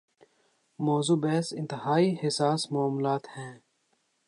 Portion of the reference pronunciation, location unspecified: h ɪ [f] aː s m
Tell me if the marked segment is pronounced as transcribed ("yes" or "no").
no